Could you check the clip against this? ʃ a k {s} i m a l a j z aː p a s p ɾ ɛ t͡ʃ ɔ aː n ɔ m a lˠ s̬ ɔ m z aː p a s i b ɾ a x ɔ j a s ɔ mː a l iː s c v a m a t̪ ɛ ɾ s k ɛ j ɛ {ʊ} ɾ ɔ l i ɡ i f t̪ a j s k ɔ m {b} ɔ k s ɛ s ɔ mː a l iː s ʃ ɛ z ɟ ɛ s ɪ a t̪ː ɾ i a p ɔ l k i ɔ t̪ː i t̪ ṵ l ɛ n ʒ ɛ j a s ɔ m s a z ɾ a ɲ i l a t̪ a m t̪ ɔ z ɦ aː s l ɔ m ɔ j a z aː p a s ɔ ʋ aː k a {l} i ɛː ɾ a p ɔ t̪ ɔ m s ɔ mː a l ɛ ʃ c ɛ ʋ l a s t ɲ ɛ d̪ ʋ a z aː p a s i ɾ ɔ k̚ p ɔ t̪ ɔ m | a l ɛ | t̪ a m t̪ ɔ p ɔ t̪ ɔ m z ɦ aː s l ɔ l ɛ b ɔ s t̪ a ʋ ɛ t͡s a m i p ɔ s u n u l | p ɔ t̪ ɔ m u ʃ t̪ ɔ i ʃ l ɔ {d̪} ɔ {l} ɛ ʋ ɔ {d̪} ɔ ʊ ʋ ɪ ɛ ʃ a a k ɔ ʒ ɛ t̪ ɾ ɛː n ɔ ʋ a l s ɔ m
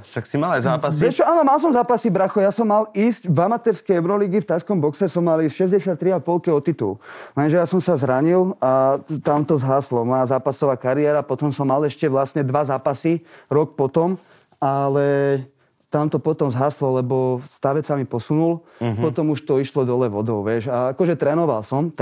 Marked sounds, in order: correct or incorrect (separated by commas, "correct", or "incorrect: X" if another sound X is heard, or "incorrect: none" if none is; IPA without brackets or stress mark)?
correct, correct, correct, incorrect: ɾ, correct, correct, correct